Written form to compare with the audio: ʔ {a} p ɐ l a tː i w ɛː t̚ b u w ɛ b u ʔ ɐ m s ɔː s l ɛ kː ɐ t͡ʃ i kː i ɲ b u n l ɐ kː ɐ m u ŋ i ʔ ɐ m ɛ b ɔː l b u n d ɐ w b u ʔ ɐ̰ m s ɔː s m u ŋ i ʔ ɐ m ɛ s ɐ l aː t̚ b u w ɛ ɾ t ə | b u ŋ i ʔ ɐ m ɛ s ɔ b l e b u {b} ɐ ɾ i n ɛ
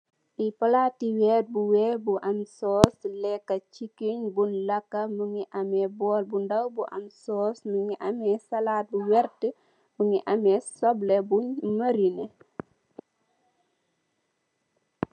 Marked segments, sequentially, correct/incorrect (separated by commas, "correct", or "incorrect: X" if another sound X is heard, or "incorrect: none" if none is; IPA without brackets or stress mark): incorrect: i, incorrect: m